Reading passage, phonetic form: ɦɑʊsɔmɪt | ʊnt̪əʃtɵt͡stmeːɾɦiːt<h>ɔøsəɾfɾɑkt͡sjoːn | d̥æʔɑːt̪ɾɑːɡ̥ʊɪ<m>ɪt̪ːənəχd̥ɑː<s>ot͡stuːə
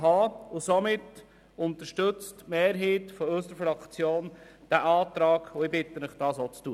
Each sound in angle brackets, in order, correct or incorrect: incorrect: f, incorrect: b, correct

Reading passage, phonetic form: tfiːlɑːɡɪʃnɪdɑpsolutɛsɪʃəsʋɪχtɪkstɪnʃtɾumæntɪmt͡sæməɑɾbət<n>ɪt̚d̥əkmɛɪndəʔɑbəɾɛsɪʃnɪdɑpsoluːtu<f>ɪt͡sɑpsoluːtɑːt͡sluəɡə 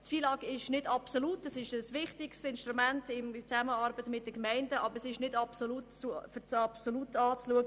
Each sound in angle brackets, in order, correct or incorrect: incorrect: m, correct

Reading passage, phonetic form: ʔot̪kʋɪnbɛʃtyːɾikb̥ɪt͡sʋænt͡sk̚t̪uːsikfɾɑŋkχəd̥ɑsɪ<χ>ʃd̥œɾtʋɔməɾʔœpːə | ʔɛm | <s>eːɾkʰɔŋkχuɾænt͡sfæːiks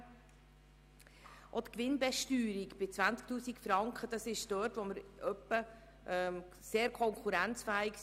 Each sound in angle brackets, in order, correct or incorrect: incorrect: none, correct

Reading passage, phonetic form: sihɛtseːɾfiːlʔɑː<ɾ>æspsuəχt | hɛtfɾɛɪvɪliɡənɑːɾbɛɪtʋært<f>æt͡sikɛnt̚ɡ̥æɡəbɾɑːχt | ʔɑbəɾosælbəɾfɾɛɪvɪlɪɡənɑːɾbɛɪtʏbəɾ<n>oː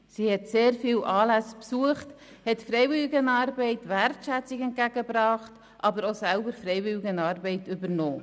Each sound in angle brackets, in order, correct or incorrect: incorrect: l, incorrect: ʃ, correct

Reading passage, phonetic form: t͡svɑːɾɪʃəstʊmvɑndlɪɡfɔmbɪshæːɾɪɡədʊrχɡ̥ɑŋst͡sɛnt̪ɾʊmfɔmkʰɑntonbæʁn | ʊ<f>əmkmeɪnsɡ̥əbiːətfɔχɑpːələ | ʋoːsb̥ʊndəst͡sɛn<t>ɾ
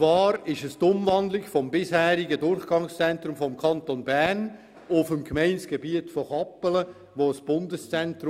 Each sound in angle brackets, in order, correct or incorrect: correct, correct

